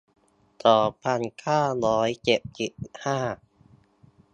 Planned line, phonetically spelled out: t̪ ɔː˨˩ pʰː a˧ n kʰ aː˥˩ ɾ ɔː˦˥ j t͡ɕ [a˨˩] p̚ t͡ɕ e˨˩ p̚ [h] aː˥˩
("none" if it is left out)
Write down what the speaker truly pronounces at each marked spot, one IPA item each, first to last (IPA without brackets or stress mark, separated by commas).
e˨˩, h